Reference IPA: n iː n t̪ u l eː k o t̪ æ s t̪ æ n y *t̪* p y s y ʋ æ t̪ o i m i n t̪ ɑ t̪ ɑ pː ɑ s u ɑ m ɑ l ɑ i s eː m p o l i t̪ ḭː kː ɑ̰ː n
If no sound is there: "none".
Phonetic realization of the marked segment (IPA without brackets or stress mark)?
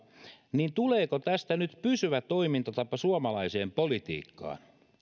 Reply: t̪